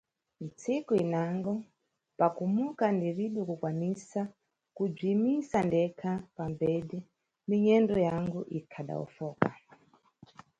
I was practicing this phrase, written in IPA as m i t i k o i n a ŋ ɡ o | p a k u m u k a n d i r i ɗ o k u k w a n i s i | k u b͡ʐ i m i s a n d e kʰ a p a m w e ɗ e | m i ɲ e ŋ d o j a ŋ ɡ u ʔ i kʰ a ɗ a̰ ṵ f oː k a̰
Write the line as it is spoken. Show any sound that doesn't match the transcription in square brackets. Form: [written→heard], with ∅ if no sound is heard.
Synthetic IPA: m i [t→t͡s] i k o i n a ŋ ɡ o | p a k u m u k a n d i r i ɗ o k u k w a n i s [i→a] | k u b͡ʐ i m i s a n d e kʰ a p a m [w→b] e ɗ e | m i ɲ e [ŋ→n] d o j a ŋ ɡ u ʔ i kʰ a ɗ a̰ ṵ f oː k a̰